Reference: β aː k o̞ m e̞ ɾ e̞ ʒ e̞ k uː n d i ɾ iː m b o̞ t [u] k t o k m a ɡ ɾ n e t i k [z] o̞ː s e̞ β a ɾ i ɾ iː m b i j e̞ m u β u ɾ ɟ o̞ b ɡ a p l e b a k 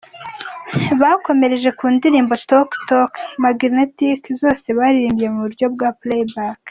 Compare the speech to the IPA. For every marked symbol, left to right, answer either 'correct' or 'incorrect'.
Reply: incorrect, correct

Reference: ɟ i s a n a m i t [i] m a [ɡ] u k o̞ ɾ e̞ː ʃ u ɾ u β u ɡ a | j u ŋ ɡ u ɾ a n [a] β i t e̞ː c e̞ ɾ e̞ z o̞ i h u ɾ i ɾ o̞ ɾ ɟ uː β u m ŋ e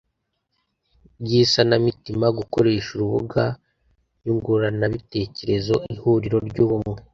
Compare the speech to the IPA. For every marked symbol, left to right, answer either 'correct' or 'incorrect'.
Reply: correct, correct, correct

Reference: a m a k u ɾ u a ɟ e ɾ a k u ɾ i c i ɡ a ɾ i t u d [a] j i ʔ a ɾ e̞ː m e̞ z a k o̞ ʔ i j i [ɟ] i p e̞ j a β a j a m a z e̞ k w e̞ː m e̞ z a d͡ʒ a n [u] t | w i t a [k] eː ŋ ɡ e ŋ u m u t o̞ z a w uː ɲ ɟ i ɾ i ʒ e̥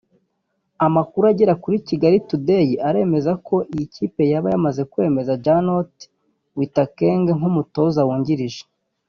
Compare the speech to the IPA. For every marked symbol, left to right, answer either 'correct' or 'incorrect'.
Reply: incorrect, incorrect, incorrect, correct

